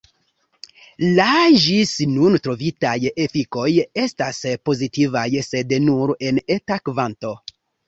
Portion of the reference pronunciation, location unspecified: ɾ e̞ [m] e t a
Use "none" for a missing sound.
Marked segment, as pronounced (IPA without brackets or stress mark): n